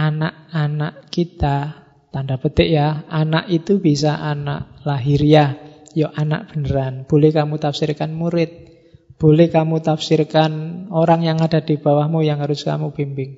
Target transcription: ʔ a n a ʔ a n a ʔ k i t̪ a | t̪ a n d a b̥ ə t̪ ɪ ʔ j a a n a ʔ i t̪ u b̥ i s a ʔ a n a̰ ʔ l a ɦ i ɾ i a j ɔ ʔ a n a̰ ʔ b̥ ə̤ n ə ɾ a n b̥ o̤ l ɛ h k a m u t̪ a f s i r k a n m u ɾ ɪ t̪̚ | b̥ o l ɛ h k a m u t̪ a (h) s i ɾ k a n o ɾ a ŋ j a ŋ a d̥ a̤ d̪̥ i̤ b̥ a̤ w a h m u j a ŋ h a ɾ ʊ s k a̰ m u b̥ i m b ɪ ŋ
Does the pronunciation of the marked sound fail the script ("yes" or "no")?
yes